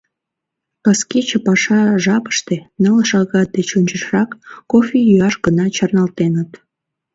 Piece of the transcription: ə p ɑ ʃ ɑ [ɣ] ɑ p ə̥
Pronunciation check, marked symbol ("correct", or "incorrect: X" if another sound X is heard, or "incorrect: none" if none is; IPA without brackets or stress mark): incorrect: ʒ